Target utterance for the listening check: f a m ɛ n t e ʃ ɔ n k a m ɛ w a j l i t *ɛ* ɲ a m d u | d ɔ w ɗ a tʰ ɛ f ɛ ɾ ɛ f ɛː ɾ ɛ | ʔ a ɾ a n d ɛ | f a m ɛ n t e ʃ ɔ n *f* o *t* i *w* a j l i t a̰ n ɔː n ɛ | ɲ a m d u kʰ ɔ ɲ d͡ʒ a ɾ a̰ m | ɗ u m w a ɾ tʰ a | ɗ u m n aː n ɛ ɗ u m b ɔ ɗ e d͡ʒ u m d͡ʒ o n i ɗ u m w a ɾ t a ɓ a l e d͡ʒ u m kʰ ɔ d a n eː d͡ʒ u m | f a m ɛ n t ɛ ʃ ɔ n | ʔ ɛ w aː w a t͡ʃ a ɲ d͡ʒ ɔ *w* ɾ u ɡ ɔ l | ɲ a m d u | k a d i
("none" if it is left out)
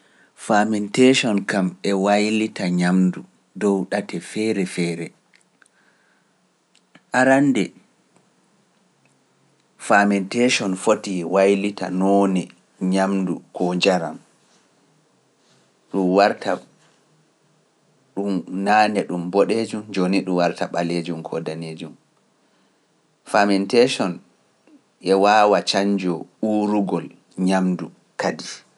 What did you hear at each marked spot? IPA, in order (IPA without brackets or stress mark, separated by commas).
a, f, t, w, u